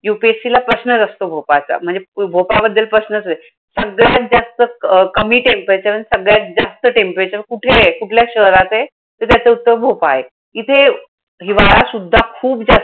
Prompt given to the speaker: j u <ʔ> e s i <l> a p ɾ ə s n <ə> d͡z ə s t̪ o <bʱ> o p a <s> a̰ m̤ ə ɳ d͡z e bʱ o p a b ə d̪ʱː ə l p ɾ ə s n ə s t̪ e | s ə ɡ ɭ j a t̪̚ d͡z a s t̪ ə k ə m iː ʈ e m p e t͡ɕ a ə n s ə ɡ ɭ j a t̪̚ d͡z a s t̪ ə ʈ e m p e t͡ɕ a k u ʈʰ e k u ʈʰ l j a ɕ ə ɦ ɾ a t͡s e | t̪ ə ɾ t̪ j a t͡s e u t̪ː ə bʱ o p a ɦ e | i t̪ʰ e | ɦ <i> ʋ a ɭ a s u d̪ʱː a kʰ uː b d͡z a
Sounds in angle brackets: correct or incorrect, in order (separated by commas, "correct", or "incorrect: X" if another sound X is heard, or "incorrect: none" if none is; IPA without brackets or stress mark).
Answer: incorrect: p, correct, correct, correct, incorrect: t͡s, correct